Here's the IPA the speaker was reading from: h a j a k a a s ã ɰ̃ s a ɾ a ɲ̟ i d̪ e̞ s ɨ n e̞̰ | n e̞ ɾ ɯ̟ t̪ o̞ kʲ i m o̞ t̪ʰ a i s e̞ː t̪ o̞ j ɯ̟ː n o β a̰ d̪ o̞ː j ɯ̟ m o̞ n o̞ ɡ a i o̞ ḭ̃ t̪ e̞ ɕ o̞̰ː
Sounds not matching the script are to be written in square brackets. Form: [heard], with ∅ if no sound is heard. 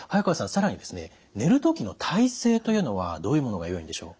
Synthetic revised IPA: h a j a k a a s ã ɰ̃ s a ɾ a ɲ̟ i d̪ e̞ s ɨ n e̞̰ | n e̞ ɾ ɯ̟ t̪ o̞ kʲ i [n] o̞ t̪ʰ a i s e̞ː t̪ o̞ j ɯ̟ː n o β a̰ d̪ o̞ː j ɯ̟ m o̞ n o̞ ɡ a [j] o̞ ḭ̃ [d̪] e̞ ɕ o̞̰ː